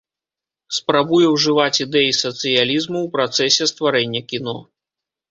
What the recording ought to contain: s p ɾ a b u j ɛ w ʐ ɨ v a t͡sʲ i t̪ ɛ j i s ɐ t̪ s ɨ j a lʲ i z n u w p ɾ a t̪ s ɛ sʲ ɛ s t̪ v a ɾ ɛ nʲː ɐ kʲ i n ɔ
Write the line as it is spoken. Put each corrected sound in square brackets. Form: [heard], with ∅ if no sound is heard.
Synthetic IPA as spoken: s p ɾ a b u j ɛ w ʐ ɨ v a t͡sʲ i [d̪] ɛ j i s ɐ t̪ s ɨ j a lʲ i z [m] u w p ɾ a t̪ s ɛ sʲ ɛ s t̪ v a ɾ ɛ nʲː ɐ kʲ i n ɔ